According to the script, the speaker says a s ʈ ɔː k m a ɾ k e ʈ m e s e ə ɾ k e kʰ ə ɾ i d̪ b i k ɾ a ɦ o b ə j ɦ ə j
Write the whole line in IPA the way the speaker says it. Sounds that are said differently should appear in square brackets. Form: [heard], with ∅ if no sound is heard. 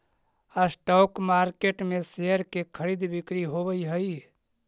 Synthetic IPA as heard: a s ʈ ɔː k m a ɾ k e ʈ m e s e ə ɾ k e kʰ ə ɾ i d̪ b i k ɾ [i] ɦ o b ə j ɦ ə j